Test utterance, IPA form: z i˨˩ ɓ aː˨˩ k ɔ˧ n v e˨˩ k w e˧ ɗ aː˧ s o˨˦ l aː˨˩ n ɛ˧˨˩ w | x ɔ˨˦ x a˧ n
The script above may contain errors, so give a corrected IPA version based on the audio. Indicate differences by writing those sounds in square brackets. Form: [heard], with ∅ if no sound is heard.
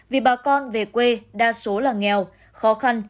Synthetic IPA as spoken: [v] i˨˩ ɓ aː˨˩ k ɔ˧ n v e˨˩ k w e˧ ɗ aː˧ s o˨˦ l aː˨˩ [ŋ] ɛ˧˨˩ w | x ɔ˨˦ x a˧ n